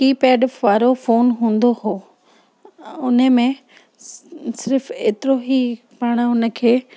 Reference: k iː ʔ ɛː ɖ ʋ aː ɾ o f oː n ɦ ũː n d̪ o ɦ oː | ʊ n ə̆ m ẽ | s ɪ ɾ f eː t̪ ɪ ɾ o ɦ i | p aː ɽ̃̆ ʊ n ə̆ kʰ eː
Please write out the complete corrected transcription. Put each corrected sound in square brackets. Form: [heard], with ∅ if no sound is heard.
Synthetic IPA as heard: k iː [p] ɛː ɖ ʋ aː ɾ o f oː n ɦ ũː n d̪ o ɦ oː | ʊ n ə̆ m ẽ | s ɪ ɾ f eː t̪ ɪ ɾ o ɦ i | p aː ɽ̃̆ ʊ n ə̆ kʰ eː